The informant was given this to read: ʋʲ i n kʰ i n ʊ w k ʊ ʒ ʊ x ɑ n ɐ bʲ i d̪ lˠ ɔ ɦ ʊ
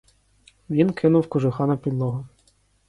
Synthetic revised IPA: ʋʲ i n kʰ ɪ n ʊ w k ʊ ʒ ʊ x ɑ n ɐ pʲ i d̪ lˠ ɔ ɦ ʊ